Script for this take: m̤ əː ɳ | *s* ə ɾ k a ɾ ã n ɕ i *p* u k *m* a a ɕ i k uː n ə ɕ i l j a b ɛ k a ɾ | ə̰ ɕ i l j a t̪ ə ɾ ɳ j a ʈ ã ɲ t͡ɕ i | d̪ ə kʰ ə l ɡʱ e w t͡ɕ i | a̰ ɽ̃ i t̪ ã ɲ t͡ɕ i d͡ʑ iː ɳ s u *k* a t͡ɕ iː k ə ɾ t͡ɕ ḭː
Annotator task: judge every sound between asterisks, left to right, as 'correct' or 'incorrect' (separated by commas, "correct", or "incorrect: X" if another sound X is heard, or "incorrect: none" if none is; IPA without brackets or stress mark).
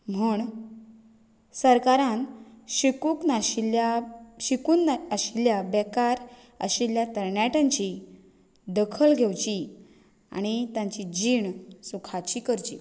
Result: correct, incorrect: k, incorrect: n, incorrect: kʰ